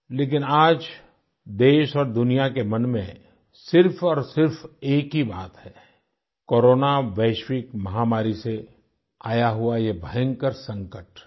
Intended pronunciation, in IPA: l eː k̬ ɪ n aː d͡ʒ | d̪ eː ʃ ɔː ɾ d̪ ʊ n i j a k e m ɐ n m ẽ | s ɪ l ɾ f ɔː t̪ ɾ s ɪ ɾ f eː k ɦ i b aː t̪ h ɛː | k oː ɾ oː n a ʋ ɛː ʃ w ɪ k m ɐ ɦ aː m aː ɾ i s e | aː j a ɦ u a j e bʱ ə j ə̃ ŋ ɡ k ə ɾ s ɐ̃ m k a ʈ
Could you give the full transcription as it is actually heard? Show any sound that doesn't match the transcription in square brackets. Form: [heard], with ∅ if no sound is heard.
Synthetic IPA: l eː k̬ ɪ n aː d͡ʒ | d̪ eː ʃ ɔː ɾ d̪ ʊ n i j a k e m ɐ n m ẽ | s ɪ [∅] ɾ f ɔː [∅] ɾ s ɪ ɾ f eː k ɦ i b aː t̪ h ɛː | k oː ɾ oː n a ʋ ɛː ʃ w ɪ k m ɐ ɦ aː m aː ɾ i s e | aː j a ɦ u a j e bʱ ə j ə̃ ŋ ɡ k ə ɾ s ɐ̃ [ŋ] k [ə] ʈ